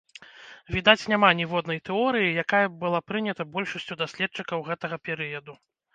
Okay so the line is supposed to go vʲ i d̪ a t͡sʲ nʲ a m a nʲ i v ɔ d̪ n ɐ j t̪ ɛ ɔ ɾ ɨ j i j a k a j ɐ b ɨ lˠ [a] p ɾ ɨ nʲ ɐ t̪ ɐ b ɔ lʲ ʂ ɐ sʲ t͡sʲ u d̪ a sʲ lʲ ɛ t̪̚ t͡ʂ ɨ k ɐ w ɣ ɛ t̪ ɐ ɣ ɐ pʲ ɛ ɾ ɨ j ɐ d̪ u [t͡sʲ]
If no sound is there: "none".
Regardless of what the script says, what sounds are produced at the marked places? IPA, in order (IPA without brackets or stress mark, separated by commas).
a, none